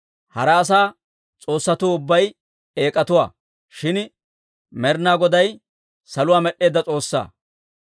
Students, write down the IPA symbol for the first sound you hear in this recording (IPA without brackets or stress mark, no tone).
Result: h